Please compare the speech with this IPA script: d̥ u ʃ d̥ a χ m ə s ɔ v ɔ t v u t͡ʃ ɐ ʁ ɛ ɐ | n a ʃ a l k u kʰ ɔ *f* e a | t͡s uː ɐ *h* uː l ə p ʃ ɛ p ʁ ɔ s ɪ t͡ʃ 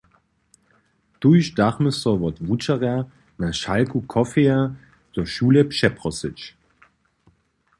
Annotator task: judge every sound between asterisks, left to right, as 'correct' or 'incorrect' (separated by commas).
correct, incorrect